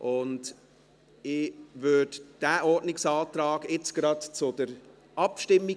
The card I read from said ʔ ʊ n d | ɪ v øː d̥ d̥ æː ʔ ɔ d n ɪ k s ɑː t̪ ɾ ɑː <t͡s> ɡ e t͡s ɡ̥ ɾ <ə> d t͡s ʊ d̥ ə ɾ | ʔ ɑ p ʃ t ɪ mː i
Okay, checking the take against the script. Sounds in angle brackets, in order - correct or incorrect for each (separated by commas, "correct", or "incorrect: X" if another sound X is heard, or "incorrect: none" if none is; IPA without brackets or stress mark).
incorrect: none, incorrect: ɑ